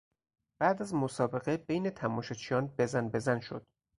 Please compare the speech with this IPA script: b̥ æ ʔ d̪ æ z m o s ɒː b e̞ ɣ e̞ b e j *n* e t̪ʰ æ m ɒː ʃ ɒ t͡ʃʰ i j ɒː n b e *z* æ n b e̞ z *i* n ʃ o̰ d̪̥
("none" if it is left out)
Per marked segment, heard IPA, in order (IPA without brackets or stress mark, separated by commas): n, z, æ